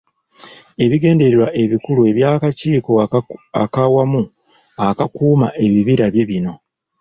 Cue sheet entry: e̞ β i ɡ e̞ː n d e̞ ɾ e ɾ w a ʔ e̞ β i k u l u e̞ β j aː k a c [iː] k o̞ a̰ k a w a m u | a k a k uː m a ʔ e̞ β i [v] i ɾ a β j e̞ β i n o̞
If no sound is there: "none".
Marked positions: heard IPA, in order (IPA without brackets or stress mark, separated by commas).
iː, β